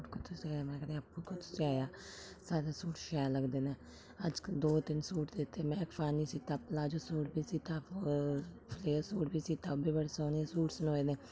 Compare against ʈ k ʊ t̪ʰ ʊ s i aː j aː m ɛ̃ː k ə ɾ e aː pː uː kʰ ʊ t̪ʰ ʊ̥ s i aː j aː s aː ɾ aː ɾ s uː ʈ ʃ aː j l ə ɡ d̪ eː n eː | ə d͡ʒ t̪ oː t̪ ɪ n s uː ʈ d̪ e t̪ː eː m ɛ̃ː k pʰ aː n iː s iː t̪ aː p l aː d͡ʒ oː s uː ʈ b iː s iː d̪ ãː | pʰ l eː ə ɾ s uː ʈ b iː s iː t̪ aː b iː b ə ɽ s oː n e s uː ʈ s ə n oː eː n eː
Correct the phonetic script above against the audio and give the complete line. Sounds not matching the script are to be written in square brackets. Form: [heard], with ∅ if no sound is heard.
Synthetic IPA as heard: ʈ k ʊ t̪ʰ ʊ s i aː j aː m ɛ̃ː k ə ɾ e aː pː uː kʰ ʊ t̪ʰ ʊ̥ s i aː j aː s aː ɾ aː [∅] s uː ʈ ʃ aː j l ə ɡ d̪ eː n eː | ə d͡ʒ [d̪] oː t̪ ɪ n s uː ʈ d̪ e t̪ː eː m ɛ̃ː k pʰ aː n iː s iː t̪ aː p l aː d͡ʒ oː s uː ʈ b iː s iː [t̪] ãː | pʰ l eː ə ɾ s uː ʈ b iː s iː t̪ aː b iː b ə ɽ s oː n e s uː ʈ s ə n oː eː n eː

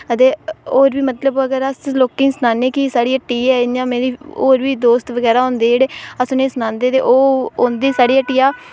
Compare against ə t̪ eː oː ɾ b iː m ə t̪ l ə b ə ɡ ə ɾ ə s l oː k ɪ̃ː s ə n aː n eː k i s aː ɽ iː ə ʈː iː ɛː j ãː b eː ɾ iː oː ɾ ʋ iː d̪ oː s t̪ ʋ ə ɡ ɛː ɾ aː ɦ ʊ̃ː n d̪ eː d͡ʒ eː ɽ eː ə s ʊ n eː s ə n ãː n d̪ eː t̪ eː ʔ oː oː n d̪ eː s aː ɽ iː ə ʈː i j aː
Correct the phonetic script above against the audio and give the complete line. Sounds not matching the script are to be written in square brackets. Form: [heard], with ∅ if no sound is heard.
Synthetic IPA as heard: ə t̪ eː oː ɾ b iː m ə t̪ l ə b ə ɡ ə ɾ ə s l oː k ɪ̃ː s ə n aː n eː k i s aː ɽ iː ə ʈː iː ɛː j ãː [m] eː ɾ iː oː ɾ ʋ iː d̪ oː s t̪ ʋ ə ɡ ɛː ɾ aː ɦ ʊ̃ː n d̪ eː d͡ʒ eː ɽ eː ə s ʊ n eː s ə n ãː n d̪ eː t̪ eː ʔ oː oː n d̪ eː s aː ɽ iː ə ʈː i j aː

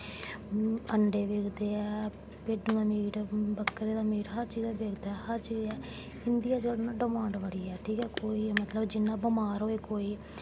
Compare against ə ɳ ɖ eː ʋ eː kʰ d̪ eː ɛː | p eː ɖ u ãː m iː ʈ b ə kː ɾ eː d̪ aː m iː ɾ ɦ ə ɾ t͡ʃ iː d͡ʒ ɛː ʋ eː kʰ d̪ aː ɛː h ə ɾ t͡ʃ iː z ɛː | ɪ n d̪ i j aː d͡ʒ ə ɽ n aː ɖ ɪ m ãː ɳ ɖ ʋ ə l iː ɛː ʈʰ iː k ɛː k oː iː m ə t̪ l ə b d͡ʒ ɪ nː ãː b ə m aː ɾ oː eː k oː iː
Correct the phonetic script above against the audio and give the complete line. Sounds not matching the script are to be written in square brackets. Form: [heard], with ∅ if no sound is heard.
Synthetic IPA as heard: ə ɳ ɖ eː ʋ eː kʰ d̪ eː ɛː | p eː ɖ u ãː m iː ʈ b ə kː ɾ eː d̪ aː m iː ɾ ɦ ə ɾ t͡ʃ iː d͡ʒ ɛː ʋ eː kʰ d̪ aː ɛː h ə ɾ t͡ʃ iː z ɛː | ɪ n d̪ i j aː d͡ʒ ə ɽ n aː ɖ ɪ m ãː ɳ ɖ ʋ ə [ɽ] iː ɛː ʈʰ iː k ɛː k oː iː m ə t̪ l ə b d͡ʒ ɪ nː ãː b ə m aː ɾ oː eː k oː iː

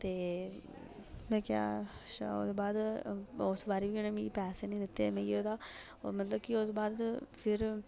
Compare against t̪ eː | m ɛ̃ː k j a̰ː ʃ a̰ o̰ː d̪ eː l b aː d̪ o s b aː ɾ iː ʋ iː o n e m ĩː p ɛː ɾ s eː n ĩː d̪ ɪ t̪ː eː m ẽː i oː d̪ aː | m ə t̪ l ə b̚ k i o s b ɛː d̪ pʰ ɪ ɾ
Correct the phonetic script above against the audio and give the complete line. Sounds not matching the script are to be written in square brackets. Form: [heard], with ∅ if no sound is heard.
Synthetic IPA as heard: t̪ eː | m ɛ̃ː k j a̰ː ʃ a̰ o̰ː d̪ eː [∅] b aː d̪ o s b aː ɾ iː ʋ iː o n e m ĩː p ɛː [∅] s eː n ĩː d̪ ɪ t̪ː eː m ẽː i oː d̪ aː | m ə t̪ l ə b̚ k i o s b [aː] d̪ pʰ ɪ ɾ

